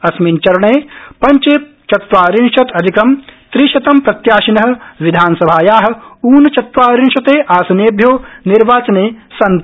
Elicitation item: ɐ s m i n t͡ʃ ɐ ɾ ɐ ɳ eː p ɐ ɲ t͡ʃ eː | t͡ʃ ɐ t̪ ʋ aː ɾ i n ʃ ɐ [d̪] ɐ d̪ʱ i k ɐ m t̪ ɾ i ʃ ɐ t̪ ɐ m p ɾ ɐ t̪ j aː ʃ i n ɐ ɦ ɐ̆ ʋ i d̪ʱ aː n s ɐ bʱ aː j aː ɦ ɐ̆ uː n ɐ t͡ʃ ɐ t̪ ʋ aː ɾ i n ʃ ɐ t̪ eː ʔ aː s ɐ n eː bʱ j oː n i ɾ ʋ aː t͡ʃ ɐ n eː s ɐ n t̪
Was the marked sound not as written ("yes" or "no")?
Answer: yes